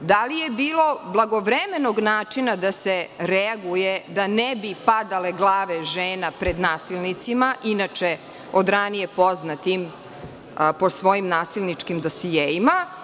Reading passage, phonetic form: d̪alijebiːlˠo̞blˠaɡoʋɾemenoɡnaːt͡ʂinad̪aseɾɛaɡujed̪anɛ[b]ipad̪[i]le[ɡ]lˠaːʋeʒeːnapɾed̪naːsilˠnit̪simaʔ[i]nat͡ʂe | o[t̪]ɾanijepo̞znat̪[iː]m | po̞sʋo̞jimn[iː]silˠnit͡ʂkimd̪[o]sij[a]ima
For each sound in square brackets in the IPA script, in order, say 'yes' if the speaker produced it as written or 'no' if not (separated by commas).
yes, no, yes, yes, no, no, no, yes, no